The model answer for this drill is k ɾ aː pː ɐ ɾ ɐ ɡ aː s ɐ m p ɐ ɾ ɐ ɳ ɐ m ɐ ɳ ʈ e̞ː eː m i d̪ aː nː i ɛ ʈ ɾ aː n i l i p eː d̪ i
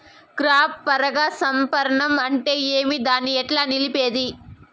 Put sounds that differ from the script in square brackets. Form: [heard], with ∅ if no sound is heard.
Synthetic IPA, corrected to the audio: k ɾ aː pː ɐ ɾ ɐ ɡ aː s ɐ m p ɐ ɾ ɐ ɳ ɐ m ɐ ɳ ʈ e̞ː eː m i d̪ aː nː i ɛ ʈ [l] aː n i l i p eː d̪ i

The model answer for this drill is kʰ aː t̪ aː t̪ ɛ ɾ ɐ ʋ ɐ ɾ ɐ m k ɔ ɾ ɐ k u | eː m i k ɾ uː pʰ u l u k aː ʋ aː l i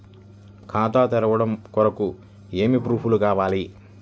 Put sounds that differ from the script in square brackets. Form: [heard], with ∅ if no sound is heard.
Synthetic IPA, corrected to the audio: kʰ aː t̪ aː t̪ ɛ ɾ ɐ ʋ ɐ [ɽ] ɐ m k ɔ ɾ ɐ k u | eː m i [p] ɾ uː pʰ u l u k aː ʋ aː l i

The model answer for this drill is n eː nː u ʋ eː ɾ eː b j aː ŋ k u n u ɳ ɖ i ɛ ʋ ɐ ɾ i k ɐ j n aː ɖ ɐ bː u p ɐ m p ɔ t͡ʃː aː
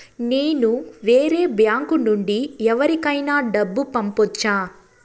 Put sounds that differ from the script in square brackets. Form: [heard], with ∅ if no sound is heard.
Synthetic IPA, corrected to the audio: n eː [n] u ʋ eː ɾ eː b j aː ŋ k u n u ɳ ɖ i ɛ ʋ ɐ ɾ i k ɐ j n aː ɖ ɐ bː u p ɐ m p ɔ t͡ʃː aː

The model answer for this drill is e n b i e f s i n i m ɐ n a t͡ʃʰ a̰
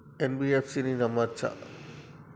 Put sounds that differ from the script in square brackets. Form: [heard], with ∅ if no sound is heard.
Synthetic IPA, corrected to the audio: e n b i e f s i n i [n] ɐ [m] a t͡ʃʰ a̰

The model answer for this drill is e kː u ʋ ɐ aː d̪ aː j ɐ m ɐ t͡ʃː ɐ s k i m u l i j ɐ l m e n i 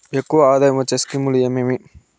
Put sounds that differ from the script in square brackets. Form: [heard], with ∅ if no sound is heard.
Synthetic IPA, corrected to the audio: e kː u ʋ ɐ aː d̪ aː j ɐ m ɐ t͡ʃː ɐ s k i m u l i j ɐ [∅] m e [m] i

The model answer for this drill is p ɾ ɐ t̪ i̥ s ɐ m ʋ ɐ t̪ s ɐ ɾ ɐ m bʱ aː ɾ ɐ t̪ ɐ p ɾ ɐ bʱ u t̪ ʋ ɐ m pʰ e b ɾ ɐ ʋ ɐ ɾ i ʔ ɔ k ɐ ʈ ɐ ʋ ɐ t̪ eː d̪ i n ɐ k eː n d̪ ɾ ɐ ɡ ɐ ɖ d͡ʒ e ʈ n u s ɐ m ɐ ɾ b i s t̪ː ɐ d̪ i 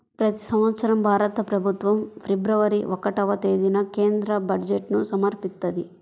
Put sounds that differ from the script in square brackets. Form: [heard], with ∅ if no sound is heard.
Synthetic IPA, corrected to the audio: p ɾ ɐ t̪ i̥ s ɐ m ʋ ɐ t̪ s ɐ ɾ ɐ m bʱ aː ɾ ɐ t̪ ɐ p ɾ ɐ bʱ u t̪ ʋ ɐ m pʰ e b ɾ ɐ ʋ ɐ ɾ i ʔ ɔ k ɐ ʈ ɐ ʋ ɐ t̪ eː d̪ i n ɐ k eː n d̪ ɾ ɐ [b] ɐ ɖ d͡ʒ e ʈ n u s ɐ m ɐ ɾ [p] i s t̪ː ɐ d̪ i

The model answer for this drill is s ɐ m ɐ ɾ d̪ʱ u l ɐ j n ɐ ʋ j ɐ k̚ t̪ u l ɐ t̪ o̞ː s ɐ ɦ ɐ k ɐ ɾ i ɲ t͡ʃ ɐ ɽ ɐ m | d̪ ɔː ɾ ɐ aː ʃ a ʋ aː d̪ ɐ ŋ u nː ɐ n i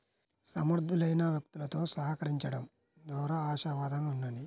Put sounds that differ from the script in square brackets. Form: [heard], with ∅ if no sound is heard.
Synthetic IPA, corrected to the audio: s ɐ m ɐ ɾ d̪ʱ u l ɐ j n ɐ ʋ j ɐ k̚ t̪ u l ɐ t̪ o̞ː s ɐ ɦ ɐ k ɐ ɾ i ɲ t͡ʃ ɐ ɽ ɐ m | d̪ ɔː ɾ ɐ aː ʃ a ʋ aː d̪ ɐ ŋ u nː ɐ n i

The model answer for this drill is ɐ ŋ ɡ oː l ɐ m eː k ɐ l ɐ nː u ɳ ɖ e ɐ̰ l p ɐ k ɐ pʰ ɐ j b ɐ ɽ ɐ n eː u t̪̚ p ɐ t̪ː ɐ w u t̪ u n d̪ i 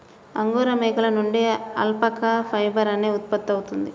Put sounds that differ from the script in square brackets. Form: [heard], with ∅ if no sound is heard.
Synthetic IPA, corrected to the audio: ɐ ŋ ɡ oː [ɾ] ɐ m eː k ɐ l ɐ [n] u ɳ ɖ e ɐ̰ l p ɐ k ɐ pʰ ɐ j b ɐ [ɾ] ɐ n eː u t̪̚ p ɐ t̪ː ɐ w u t̪ u n d̪ i

